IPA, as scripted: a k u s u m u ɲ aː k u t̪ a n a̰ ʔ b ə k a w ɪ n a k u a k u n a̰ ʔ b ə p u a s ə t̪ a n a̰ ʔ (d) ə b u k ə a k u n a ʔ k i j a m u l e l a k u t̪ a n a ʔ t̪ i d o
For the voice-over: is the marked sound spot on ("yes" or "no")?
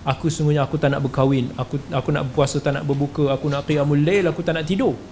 no